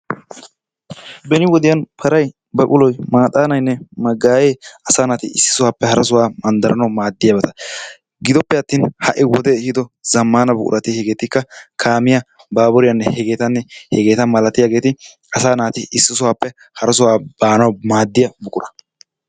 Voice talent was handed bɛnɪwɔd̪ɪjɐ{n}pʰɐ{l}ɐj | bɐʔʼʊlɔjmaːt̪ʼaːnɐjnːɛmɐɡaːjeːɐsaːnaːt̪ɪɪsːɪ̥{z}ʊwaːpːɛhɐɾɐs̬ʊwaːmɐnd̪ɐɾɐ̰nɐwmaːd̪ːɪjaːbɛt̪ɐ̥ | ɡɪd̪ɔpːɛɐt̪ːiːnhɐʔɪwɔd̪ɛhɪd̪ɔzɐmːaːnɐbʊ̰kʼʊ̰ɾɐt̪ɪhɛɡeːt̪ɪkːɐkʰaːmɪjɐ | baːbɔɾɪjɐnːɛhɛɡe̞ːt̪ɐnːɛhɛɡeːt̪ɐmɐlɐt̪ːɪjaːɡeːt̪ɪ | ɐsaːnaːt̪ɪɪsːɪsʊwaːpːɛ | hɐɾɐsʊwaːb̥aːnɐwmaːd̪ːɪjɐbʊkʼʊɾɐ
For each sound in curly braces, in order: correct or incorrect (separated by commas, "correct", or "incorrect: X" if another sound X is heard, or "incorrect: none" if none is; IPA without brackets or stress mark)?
correct, incorrect: ɾ, incorrect: s